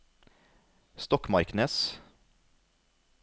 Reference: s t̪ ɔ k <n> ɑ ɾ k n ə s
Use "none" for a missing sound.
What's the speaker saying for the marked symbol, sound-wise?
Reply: m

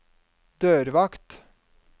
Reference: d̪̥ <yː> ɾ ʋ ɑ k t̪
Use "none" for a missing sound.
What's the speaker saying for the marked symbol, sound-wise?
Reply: øː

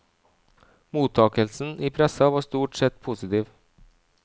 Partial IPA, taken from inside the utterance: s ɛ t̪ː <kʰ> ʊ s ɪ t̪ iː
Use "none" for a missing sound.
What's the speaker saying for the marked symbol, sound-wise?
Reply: pʰ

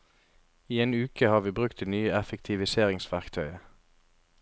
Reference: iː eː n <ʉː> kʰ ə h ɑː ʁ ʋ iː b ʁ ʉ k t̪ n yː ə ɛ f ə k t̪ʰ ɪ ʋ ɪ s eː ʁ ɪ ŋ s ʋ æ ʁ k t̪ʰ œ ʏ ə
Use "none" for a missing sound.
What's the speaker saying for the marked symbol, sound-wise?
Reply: ʉː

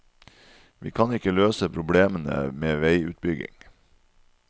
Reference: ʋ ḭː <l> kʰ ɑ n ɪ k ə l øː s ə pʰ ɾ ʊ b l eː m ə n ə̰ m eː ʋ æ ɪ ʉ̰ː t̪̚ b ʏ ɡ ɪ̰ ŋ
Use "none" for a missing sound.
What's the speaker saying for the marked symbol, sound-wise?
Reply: none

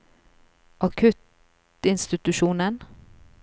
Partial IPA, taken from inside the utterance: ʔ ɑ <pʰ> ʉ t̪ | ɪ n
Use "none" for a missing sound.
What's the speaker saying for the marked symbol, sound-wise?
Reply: kʰ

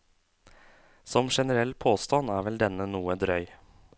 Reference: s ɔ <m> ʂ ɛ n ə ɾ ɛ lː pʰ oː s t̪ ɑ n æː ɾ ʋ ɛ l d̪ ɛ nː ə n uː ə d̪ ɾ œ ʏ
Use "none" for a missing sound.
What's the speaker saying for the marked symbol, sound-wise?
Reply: m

